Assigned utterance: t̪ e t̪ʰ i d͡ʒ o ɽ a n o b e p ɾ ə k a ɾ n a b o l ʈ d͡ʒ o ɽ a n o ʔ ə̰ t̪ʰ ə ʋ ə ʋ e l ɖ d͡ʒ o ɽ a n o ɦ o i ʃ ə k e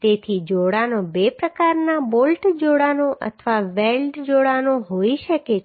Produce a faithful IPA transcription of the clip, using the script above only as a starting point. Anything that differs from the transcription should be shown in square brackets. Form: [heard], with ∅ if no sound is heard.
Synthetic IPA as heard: t̪ e t̪ʰ i d͡ʒ o ɽ a n o b e p ɾ ə k a ɾ n a b o l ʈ d͡ʒ o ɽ a n o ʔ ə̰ t̪ʰ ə ʋ [a] ʋ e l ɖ d͡ʒ o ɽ a n o ɦ o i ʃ ə k e

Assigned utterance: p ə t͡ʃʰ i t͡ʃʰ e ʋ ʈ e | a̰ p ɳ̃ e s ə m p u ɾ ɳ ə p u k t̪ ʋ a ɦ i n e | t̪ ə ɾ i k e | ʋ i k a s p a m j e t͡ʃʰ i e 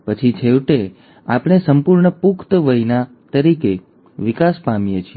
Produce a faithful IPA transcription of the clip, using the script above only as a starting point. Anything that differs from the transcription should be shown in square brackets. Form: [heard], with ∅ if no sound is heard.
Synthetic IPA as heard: p ə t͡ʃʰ i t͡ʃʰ e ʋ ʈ e | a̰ p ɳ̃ e s ə m p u ɾ ɳ ə p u k t̪ ʋ [ə] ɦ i n [a] | t̪ ə ɾ i k e | ʋ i k a s p a m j e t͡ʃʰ i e

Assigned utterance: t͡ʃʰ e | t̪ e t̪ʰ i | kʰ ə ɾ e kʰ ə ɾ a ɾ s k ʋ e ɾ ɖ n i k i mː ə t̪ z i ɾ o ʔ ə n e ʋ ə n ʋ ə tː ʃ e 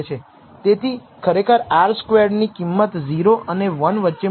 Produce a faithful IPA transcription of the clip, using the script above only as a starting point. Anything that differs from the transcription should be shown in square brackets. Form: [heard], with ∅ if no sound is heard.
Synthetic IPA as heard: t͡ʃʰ e | t̪ e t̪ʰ i | kʰ ə ɾ e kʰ ə ɾ a ɾ s k ʋ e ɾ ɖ n i k i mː ə t̪ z i ɾ o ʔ ə n e ʋ ə n ʋ ə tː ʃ e

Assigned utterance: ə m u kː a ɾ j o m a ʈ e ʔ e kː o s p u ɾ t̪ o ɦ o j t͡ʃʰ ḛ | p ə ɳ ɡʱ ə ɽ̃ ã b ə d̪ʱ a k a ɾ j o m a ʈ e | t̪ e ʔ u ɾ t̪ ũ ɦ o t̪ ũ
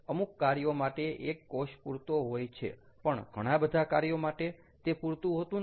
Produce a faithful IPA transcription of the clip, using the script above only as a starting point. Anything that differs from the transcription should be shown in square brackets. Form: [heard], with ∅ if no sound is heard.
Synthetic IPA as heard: ə m u kː a ɾ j o m a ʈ e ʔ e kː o [ʃ] p u ɾ t̪ o ɦ o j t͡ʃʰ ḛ | p ə ɳ ɡʱ ə ɽ̃ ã b ə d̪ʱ a k a ɾ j o m a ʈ e | t̪ e [p] u ɾ t̪ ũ ɦ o t̪ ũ

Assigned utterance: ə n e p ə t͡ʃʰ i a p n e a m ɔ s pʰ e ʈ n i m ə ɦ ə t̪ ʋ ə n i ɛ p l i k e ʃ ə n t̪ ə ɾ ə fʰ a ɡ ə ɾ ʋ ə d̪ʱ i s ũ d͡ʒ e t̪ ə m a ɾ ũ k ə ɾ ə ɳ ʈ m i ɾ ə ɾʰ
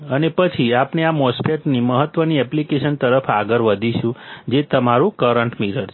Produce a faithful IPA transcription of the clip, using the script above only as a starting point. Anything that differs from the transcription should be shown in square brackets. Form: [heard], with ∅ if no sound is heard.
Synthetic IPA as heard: ə n e p ə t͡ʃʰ i a p n e a m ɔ s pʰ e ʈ n i m ə ɦ ə t̪ ʋ ə n i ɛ p l i k e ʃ ə n t̪ ə ɾ ə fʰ a ɡ ə ɾ ʋ ə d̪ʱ i [ʃ] ũ d͡ʒ e t̪ ə m a ɾ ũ k ə ɾ ə ɳ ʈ m i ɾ ə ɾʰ

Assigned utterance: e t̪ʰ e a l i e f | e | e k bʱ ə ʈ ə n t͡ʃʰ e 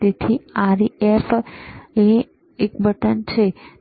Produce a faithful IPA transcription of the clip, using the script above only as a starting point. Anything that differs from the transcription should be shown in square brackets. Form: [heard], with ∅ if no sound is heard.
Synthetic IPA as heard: e t̪ʰ [i] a [ɾ] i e f | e | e k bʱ ə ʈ ə n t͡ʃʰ e

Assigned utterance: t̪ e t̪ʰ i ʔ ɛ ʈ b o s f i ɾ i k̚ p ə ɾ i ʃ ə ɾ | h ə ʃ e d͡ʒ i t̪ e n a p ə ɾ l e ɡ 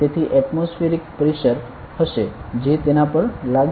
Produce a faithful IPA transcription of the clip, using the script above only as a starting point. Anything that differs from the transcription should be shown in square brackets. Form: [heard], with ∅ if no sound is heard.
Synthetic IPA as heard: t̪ e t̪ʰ i ʔ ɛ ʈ [m] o s f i ɾ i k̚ p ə ɾ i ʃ ə ɾ | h ə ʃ e d͡ʒ [e] t̪ e n a p ə ɾ l [a] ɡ

